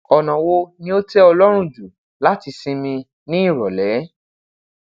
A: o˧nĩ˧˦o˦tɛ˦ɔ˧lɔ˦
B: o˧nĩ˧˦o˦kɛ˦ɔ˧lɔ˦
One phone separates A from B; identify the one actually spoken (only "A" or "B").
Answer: A